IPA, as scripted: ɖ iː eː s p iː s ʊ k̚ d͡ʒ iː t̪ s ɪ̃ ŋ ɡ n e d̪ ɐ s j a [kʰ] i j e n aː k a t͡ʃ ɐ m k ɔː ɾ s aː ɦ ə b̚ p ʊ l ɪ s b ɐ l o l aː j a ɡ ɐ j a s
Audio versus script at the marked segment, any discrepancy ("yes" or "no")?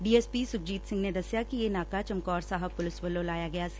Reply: yes